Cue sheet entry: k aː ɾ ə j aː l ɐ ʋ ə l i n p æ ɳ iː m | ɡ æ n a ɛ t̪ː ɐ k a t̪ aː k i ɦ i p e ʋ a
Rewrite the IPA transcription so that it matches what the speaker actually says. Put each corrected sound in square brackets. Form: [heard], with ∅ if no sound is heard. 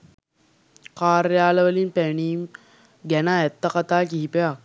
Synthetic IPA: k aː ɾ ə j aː l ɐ ʋ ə l i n p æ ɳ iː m | ɡ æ n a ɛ t̪ː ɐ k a t̪ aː k i ɦ i p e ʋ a